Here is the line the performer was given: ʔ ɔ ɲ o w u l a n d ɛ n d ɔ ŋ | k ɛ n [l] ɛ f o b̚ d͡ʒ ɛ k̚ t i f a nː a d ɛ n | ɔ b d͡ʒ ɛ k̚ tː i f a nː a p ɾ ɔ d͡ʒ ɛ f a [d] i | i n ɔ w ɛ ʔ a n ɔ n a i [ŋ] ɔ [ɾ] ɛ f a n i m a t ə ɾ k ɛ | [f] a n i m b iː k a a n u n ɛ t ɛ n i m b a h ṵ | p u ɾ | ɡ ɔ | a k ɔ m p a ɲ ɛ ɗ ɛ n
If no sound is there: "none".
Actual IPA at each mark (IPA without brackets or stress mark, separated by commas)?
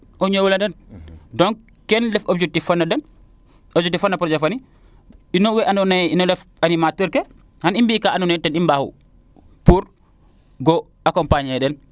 l, n, n, l, h